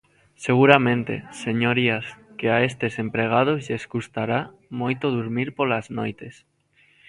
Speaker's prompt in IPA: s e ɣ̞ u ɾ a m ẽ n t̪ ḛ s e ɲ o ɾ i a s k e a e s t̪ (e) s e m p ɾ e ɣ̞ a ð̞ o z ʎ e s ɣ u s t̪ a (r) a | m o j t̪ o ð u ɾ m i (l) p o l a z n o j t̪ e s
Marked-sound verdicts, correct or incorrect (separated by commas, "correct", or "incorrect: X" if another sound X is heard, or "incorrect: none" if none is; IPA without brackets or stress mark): correct, incorrect: ɾ, incorrect: ɾ